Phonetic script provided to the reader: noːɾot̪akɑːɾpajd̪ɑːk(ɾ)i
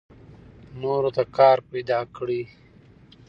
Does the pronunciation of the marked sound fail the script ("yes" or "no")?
yes